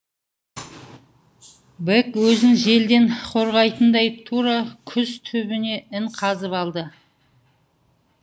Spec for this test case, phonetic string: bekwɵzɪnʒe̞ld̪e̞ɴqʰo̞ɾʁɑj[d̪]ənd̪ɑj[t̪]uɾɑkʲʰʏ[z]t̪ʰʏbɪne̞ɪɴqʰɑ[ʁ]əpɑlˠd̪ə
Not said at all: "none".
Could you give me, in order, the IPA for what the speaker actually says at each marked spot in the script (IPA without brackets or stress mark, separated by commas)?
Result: t̪, t̪ʰ, z, z